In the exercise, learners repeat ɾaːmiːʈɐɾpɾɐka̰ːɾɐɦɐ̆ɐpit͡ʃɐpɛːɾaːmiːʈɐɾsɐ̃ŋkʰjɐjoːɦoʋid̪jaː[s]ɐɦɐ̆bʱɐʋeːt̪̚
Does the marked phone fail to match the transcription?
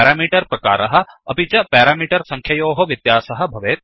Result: no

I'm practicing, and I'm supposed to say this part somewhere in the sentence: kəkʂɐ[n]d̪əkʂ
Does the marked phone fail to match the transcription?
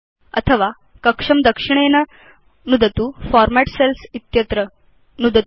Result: yes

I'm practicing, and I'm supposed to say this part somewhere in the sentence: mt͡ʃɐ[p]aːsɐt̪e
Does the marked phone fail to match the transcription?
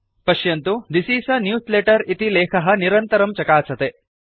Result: yes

